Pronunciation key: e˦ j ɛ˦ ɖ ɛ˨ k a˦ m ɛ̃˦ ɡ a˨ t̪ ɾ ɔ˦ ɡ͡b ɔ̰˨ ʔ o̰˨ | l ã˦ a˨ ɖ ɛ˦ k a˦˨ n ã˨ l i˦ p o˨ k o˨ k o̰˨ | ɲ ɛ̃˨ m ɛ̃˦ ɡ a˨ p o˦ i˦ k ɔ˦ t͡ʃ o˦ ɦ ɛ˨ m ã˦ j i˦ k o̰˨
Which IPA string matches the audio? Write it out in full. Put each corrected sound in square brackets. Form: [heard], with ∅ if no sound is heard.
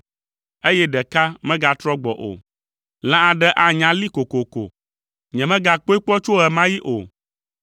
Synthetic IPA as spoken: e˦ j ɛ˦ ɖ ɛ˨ k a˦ m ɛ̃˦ ɡ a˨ t̪ ɾ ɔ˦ ɡ͡b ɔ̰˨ ʔ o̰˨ | l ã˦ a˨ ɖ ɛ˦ [ʔ] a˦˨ [ɲ] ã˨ l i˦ [k] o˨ k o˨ k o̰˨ | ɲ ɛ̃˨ m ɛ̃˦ ɡ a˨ [k͡p] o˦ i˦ [k͡p] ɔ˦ t͡ʃ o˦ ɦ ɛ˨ m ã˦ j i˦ [ʔ] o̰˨